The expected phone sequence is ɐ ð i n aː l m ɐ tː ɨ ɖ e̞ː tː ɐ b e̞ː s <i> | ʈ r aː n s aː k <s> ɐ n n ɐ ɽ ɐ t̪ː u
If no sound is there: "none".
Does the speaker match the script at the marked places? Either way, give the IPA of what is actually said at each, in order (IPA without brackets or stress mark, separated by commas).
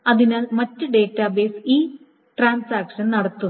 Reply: iː, ʂ